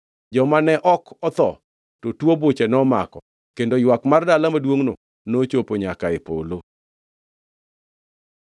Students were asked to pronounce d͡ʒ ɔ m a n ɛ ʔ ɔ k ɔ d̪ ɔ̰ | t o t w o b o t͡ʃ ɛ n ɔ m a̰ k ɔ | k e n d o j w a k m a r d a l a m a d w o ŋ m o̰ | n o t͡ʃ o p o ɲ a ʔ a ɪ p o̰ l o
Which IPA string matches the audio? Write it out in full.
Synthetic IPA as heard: d͡ʒ ɔ m a n ɛ ʔ ɔ k ɔ t̪ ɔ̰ | t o t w o b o t͡ʃ ɛ n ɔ m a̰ k ɔ | k e n d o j w a k m a r d a l a m a d w o ŋ n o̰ | n o t͡ʃ o p o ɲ a k a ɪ p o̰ l o